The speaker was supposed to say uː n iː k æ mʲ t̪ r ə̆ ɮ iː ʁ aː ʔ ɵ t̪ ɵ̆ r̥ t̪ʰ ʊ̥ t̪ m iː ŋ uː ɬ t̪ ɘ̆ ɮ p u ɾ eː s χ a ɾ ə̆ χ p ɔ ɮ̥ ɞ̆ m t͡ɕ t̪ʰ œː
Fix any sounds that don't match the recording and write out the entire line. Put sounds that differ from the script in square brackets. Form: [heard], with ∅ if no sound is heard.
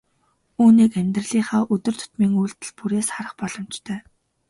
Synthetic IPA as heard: uː n iː k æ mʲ t̪ r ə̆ ɮ iː [χ] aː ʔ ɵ t̪ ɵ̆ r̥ t̪ʰ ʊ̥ t̪ m iː ŋ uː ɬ t̪ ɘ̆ ɮ p u ɾ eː s χ a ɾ ə̆ χ p ɔ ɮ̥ ɞ̆ m t͡ɕ t̪ʰ œː

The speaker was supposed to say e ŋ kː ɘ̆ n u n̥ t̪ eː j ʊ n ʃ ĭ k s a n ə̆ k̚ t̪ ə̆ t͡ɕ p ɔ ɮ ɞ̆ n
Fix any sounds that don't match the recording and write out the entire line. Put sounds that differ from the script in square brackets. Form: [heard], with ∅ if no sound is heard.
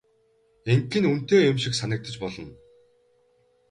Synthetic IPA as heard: e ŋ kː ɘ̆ n u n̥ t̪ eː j ʊ [m] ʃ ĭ k s a n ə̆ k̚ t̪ ə̆ t͡ɕ p ɔ ɮ ɞ̆ n

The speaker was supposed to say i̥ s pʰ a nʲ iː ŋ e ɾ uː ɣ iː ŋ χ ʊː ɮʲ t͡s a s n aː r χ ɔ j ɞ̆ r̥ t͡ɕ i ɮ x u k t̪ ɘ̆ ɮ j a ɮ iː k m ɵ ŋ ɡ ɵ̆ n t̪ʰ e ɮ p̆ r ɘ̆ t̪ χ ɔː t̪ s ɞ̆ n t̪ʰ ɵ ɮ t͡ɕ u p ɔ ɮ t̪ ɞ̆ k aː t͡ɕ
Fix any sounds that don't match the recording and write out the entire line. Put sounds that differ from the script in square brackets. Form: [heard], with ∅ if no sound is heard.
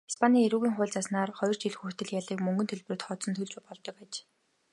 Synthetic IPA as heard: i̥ s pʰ a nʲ iː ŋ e ɾ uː ɣ iː ŋ χ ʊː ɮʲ t͡s a s n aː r χ ɔ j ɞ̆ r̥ t͡ɕ i ɮ x u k t̪ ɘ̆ ɮ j a ɮ iː k m ɵ ŋ ɡ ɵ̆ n t̪ʰ e ɮ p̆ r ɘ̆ t̪ χ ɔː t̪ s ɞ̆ n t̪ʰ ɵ ɮ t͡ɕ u p ɔ ɮ t̪ ɞ̆ k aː t͡ɕ

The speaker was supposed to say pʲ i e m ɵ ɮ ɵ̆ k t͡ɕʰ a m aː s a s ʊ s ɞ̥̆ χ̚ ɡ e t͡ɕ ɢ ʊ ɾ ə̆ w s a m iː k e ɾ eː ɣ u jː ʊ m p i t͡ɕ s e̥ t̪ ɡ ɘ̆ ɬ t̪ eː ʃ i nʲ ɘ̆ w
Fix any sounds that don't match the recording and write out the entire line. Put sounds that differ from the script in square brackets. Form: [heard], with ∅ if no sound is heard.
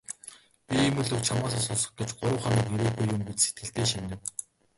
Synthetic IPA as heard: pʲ i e m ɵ ɮ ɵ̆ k t͡ɕʰ a m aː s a s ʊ s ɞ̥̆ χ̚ ɡ e t͡ɕ ɢ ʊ ɾ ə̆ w [χ] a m iː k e ɾ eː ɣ u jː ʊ m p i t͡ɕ s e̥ t̪ ɡ ɘ̆ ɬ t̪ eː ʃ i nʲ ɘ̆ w

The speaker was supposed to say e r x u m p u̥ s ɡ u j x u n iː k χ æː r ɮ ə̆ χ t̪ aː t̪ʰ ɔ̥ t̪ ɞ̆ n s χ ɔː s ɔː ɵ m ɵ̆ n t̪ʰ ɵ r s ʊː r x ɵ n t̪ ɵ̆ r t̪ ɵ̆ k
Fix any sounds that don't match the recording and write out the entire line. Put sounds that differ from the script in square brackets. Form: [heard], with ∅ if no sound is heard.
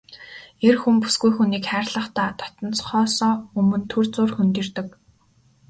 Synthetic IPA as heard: e r x u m p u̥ s ɡ u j x u n iː k χ æː r ɮ ə̆ χ t̪ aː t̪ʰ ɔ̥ t̪ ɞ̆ n [t͡s] χ ɔː s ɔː ɵ m ɵ̆ n t̪ʰ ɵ r [t͡s] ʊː r x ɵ n t̪ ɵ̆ r t̪ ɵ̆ k

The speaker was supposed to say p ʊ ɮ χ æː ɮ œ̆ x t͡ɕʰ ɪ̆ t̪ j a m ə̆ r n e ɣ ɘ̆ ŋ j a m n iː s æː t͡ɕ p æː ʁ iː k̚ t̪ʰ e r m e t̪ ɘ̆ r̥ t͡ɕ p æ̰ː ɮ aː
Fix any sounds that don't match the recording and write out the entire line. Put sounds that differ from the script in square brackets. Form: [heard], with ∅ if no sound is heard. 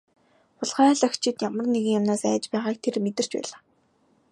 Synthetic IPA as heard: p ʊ ɮ χ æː ɮ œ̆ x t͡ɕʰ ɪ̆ t̪ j a m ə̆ r n e ɣ ɘ̆ ŋ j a m n [aː] s æː t͡ɕ p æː ʁ [aː] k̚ t̪ʰ e r m e t̪ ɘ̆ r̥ t͡ɕ p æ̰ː ɮ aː

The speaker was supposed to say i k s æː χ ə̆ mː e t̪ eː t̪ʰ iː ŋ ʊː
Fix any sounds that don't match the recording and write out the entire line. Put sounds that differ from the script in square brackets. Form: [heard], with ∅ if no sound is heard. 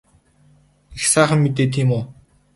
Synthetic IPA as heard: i [x] s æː χ ə̆ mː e t̪ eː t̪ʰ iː [m] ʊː

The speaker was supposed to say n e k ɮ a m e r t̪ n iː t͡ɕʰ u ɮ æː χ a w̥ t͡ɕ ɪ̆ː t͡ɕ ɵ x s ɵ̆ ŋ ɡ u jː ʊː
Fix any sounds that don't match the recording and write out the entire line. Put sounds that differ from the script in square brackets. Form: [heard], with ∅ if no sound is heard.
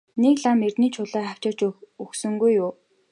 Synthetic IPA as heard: n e k ɮ a m e r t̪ n iː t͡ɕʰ [ʊ] ɮ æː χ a w̥ t͡ɕ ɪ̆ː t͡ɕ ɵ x s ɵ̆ ŋ ɡ u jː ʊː

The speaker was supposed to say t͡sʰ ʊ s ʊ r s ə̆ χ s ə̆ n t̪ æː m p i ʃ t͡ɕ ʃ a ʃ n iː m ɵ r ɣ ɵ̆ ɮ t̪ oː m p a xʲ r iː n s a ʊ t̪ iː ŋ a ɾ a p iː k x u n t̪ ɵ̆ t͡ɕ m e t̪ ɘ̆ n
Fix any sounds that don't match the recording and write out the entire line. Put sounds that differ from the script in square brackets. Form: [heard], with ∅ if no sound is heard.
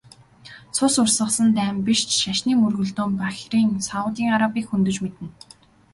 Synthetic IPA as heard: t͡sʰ ʊ s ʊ r s ə̆ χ s ə̆ n t̪ æː m p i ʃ t͡ɕ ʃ a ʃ n iː m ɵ r ɣ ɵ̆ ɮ t̪ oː m p a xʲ r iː [ŋ] s a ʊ t̪ iː ŋ a ɾ a p iː k x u n t̪ ɵ̆ t͡ɕ m e t̪ ɘ̆ n

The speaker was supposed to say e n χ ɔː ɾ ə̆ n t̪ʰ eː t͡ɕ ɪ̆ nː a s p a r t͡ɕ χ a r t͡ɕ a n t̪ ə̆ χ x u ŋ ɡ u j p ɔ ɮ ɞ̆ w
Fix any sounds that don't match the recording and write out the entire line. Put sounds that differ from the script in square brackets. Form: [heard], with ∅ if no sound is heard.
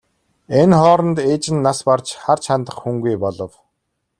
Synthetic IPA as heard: e n χ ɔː ɾ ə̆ n [t̪] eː t͡ɕ ɪ̆ nː a s p a r t͡ɕ χ a r [t͡ɕʰ] a n t̪ ə̆ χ x u ŋ ɡ u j p ɔ ɮ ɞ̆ w

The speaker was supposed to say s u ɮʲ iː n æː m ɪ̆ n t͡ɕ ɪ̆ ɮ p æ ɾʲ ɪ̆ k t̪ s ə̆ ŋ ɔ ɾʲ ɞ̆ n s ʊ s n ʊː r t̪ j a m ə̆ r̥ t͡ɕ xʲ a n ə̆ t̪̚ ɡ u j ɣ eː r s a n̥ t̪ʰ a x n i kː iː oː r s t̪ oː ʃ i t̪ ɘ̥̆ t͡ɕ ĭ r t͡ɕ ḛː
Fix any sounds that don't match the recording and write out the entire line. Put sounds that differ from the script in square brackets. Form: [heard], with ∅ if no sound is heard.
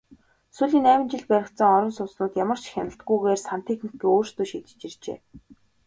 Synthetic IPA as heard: s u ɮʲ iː n æː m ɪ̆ n t͡ɕ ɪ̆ ɮ p æ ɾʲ ɪ̆ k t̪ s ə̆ ŋ ɔ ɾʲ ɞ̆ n s ʊ s n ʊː [∅] t̪ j a m ə̆ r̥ t͡ɕ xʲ a n ə̆ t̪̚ ɡ u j ɣ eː r s a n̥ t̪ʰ [e] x n i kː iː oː r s t̪ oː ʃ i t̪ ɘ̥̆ t͡ɕ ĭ r t͡ɕ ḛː

